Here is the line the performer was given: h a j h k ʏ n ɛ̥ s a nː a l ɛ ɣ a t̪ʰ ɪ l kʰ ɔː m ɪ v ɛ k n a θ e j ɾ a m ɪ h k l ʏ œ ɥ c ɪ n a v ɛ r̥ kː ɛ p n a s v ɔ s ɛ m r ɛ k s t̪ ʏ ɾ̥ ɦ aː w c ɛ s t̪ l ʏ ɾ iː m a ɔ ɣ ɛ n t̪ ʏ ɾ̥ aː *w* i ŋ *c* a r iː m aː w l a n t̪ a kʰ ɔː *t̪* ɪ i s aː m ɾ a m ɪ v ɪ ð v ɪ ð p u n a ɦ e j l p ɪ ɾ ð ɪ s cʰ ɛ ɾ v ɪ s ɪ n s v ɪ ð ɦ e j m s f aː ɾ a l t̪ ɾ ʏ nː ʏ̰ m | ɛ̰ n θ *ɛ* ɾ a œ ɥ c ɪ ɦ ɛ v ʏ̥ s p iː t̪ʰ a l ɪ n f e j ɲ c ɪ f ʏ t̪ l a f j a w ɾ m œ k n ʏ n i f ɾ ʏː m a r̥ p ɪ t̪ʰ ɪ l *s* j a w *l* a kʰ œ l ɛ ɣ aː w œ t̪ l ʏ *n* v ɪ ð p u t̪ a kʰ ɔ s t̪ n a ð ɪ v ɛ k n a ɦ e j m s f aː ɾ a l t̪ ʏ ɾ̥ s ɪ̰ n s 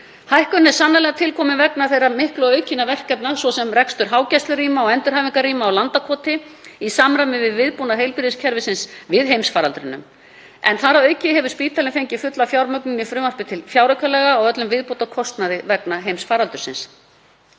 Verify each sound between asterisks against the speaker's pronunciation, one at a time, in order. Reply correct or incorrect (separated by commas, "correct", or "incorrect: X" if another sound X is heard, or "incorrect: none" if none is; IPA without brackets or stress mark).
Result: incorrect: v, incorrect: k, correct, incorrect: a, incorrect: f, incorrect: ɾ, incorrect: m